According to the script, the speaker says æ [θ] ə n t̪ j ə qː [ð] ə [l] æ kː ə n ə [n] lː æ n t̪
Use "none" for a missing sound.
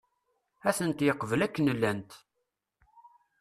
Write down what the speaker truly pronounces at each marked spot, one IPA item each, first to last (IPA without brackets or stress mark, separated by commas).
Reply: θ, v, l, none